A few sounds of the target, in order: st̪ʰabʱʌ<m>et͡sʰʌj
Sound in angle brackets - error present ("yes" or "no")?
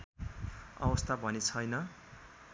yes